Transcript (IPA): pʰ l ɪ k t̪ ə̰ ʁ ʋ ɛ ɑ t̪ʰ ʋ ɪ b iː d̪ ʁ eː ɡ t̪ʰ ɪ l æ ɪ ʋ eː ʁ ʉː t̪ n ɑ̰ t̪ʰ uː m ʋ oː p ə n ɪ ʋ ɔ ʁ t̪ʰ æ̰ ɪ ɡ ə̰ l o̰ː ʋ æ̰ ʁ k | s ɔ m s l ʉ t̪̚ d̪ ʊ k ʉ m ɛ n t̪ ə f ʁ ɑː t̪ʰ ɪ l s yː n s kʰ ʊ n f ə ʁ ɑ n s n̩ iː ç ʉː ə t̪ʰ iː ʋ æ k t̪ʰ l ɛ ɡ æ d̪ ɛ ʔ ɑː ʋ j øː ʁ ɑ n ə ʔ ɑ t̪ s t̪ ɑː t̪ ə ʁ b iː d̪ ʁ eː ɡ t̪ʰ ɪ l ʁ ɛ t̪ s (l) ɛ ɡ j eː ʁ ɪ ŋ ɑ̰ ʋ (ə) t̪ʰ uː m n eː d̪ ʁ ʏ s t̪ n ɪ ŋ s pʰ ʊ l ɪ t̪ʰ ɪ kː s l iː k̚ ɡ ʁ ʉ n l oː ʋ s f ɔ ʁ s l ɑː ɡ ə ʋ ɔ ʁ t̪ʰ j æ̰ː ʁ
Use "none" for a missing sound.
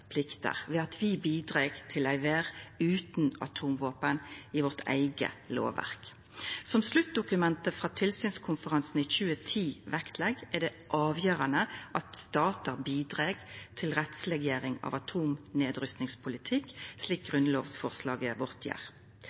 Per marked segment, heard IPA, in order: l, ɑ

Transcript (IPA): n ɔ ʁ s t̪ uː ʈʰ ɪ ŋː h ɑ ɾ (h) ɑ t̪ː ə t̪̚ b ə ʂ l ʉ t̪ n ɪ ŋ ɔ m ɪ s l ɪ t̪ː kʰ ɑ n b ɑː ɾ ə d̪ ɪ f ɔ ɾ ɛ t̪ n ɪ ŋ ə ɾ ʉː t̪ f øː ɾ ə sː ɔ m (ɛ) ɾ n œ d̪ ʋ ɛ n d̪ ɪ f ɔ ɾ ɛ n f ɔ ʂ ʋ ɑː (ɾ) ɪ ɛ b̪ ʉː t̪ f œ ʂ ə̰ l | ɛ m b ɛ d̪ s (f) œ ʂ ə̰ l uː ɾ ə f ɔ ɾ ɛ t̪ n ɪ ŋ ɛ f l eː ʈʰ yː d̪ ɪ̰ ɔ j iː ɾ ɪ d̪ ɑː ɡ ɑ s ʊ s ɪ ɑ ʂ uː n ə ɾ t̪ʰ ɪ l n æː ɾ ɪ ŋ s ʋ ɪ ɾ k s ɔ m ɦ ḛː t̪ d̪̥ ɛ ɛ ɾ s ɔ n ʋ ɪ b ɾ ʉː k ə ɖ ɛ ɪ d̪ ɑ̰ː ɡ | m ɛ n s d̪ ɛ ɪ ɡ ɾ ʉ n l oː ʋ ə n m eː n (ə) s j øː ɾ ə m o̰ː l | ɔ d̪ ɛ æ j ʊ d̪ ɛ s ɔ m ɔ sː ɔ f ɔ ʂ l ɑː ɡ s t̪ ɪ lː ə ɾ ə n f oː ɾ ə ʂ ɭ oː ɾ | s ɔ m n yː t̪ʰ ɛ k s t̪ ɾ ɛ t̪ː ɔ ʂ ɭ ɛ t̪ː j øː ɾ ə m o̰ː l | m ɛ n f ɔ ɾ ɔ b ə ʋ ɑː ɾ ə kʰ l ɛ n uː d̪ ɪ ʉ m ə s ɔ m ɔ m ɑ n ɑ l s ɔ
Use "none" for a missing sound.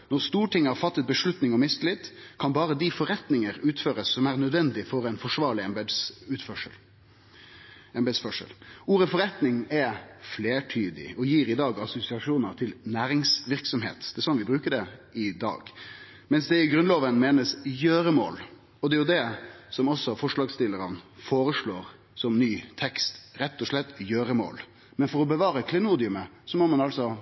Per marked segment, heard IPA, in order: f, æ, ɭ, f, ə

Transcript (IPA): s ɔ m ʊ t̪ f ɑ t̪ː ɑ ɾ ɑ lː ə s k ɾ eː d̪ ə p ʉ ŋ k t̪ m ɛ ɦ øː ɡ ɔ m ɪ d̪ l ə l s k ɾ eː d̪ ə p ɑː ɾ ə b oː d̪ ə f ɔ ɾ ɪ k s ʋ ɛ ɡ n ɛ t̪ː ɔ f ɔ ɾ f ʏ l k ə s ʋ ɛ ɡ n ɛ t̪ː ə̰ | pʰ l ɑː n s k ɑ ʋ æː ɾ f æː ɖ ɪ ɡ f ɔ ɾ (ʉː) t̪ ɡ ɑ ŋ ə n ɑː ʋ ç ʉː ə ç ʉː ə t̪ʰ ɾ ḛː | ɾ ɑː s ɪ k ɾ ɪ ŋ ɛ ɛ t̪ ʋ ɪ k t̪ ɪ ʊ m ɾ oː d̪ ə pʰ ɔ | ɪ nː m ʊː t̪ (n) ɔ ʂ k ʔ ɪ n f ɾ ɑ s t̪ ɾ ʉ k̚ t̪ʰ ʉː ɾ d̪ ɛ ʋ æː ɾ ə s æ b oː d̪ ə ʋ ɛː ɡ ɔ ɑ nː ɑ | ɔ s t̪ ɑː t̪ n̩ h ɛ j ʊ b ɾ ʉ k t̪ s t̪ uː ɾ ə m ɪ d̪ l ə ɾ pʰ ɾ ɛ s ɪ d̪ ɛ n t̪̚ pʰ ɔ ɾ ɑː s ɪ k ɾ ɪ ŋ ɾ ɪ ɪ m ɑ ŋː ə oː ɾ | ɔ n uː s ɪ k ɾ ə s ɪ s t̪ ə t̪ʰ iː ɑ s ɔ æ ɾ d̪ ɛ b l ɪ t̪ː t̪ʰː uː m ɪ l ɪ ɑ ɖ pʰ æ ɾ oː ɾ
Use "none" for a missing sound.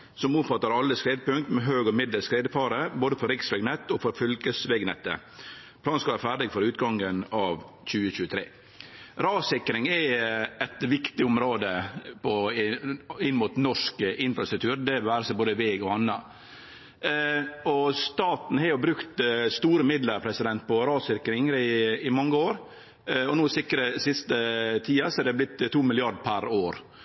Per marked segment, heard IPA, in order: ʉː, n

